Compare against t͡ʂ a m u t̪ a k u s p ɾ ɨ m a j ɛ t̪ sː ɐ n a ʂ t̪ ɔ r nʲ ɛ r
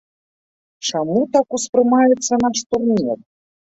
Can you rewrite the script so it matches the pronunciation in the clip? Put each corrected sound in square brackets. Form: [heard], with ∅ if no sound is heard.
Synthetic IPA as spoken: t͡ʂ a m u t̪ a k u s p ɾ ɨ m a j ɛ t̪ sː ɐ n a ʂ t̪ [u] r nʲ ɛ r